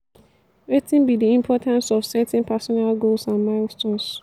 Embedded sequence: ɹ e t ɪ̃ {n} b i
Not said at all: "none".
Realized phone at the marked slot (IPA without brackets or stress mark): n